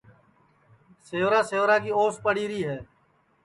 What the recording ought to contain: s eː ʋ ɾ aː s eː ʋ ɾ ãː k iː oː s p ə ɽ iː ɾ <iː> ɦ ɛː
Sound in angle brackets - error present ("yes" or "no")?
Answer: no